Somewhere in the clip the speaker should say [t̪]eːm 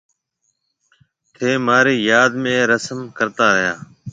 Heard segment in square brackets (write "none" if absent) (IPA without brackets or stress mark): t̪ʰ